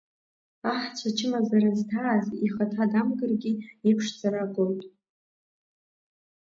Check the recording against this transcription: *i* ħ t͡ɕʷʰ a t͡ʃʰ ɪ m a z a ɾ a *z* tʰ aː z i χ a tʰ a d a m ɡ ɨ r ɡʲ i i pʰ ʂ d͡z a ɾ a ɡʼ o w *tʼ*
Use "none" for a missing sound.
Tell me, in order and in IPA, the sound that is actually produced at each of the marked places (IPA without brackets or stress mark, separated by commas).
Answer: a, z, tʼ